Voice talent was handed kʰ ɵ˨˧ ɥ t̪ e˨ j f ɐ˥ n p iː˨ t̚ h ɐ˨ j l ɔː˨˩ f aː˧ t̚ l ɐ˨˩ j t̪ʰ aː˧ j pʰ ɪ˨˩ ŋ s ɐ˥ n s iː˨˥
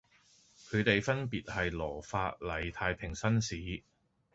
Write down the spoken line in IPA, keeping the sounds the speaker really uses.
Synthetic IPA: kʰ ɵ˨˧ ɥ t̪ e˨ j f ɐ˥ n p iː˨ t̚ h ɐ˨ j l ɔː˨˩ f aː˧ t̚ l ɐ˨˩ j t̪ʰ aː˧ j pʰ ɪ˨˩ ŋ s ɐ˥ n s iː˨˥